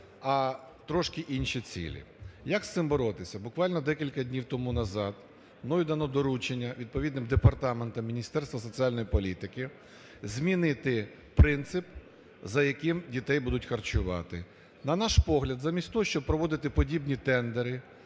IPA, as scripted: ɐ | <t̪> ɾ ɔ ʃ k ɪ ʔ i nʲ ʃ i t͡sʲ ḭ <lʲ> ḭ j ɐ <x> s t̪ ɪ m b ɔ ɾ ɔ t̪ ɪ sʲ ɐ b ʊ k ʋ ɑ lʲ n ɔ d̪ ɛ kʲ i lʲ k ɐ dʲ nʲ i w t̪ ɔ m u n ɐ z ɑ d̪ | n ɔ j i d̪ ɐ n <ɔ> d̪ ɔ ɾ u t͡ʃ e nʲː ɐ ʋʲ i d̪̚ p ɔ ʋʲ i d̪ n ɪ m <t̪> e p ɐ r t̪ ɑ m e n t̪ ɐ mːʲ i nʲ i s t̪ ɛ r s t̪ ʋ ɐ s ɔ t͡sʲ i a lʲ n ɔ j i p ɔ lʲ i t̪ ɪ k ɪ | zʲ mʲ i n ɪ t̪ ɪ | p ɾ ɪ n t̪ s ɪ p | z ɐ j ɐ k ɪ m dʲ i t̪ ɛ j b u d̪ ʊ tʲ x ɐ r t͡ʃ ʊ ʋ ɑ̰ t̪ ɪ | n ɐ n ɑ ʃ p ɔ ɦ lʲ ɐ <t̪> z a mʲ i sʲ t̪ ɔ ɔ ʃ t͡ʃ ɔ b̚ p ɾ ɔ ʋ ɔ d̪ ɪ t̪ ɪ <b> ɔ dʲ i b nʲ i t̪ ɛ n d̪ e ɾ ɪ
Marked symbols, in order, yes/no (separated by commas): yes, yes, no, yes, no, no, no